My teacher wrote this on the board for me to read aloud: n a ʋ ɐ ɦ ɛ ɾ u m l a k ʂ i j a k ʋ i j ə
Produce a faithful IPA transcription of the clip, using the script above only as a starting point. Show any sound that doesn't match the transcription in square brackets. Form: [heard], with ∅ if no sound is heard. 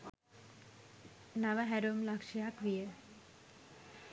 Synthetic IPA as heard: n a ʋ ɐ ɦ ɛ ɾ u m l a k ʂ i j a k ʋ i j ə

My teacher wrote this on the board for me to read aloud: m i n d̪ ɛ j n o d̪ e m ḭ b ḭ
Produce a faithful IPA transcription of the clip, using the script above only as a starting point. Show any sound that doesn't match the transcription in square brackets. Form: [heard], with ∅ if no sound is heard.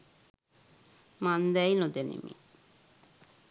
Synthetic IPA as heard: m [a] n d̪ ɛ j n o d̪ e [n] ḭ [m] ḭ

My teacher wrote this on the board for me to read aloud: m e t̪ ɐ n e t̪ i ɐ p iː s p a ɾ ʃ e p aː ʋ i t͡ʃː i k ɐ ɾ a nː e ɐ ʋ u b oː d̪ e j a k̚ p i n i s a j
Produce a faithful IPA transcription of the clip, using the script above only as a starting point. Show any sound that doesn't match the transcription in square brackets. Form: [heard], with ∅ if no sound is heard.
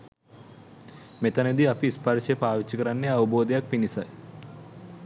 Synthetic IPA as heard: m e t̪ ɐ n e [d̪] i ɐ p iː s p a ɾ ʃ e p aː ʋ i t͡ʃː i k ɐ ɾ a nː e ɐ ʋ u b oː d̪ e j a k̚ p i n i s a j

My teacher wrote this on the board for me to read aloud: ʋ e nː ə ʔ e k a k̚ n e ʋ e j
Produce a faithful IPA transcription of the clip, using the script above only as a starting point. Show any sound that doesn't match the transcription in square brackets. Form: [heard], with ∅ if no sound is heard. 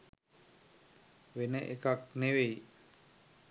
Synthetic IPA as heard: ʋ e [n] ə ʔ e k a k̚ n e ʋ e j

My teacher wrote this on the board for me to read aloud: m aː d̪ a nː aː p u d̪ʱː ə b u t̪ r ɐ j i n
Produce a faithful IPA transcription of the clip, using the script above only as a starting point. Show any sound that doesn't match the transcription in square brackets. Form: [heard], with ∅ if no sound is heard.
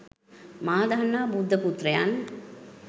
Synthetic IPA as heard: m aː d̪ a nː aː [b] u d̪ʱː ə [p] u t̪ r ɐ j [a] n

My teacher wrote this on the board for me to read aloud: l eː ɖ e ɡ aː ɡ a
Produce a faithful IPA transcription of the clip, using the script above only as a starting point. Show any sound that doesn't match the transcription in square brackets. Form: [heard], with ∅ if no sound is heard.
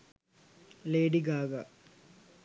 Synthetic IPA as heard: l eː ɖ [i] ɡ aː ɡ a

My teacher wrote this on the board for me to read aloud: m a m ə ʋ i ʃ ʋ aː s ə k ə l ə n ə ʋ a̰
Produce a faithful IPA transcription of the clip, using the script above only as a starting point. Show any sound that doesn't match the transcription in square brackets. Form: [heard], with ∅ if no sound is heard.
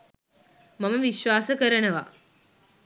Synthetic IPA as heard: m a m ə ʋ i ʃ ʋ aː s ə k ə [ɾ] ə n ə ʋ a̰

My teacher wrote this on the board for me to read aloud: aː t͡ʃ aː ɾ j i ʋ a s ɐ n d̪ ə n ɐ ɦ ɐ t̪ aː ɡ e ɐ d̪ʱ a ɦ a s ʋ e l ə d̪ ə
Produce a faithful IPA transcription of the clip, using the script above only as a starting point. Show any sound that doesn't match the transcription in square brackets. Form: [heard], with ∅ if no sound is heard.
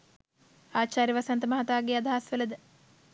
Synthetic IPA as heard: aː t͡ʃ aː ɾ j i ʋ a s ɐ n [t̪] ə [m] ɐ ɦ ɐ t̪ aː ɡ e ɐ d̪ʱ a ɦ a s ʋ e l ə d̪ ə

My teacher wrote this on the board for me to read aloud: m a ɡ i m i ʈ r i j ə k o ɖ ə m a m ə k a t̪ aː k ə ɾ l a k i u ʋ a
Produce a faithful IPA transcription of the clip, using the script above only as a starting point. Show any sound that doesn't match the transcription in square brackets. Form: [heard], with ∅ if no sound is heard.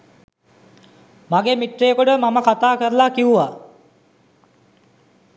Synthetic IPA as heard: m a ɡ [e] m i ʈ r [e] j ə k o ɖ ə m a m ə k a t̪ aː k ə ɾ l a k i u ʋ a

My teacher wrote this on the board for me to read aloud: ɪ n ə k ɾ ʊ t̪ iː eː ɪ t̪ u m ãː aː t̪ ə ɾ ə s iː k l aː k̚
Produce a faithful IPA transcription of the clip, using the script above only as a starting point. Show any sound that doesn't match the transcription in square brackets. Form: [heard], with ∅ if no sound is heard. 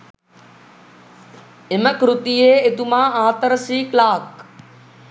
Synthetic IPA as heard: ɪ [m] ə k ɾ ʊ t̪ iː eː ɪ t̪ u m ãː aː t̪ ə ɾ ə s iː k l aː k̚

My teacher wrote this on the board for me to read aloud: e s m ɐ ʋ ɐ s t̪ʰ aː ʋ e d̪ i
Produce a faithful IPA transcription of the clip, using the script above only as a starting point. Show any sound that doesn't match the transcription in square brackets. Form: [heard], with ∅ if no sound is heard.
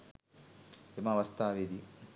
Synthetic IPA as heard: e [∅] m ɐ ʋ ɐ s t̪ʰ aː ʋ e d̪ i

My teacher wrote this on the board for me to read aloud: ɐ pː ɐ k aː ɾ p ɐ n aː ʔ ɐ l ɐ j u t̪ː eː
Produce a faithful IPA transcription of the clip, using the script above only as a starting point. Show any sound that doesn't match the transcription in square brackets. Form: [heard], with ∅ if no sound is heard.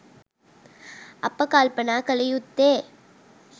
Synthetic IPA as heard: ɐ pː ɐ k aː [l] p ɐ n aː [k] ɐ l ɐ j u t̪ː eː

